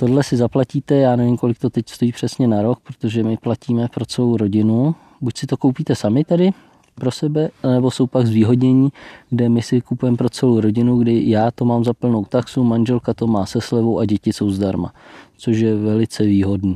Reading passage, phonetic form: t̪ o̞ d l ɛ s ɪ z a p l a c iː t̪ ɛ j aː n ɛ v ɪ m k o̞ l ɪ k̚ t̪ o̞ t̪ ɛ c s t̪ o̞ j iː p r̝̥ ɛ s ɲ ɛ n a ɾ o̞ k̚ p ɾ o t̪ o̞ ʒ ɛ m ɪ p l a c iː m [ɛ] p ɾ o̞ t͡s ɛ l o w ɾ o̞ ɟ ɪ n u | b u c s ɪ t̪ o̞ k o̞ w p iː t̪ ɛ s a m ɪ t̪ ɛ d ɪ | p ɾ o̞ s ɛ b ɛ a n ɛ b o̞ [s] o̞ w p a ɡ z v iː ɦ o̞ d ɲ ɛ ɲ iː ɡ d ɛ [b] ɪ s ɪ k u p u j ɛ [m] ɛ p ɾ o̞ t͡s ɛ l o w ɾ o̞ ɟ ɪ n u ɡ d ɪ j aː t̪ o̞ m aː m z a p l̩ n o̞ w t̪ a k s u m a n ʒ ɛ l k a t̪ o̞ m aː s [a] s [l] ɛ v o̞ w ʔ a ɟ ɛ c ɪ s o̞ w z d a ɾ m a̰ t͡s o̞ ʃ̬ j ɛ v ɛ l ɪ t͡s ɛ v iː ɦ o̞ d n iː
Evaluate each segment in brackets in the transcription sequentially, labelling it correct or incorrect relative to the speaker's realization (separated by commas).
correct, correct, incorrect, correct, incorrect, correct